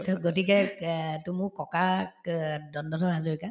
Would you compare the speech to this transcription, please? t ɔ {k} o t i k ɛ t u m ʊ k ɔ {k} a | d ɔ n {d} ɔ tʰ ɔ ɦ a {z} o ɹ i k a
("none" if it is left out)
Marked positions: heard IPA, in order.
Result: ɡ, k, d, z

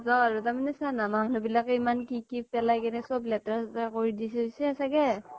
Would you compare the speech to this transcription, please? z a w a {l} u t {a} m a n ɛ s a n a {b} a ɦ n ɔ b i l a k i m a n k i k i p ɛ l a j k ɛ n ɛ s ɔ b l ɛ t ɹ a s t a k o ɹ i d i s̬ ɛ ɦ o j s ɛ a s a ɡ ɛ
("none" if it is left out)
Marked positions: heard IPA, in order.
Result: ɹ, a, m

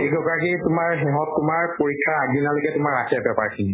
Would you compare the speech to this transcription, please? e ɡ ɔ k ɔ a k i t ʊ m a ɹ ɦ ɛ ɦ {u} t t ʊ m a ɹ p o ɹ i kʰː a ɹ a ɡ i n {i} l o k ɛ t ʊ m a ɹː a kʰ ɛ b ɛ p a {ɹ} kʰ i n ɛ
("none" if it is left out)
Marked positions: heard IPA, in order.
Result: ɔ, a, ɹ

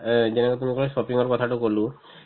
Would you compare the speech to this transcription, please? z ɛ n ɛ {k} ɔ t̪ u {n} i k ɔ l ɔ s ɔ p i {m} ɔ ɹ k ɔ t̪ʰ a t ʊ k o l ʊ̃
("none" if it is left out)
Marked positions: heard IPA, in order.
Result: k, m, ŋ

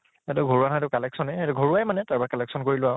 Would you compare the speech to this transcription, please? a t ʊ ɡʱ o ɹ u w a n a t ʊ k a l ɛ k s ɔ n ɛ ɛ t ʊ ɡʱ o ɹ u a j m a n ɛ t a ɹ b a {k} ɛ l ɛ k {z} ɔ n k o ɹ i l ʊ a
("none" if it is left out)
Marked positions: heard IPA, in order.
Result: k, s

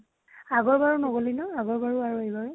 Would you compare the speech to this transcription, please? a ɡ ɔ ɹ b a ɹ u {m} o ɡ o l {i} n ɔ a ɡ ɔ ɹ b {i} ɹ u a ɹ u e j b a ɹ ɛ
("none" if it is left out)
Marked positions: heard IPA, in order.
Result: n, i, a

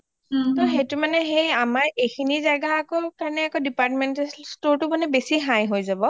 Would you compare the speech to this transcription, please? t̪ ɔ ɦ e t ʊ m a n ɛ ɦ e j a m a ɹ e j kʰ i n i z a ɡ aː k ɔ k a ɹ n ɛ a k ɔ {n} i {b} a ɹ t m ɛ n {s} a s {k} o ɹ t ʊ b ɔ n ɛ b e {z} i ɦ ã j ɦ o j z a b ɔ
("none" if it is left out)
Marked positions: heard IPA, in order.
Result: d, p, t, t, s

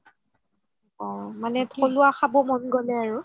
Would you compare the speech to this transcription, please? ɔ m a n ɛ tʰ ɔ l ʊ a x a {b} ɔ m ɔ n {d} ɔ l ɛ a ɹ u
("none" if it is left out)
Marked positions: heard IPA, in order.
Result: b, ɡ

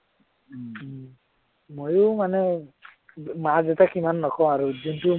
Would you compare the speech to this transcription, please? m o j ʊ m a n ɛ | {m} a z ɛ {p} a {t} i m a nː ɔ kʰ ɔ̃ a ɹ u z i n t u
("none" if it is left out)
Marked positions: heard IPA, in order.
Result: m, t, k

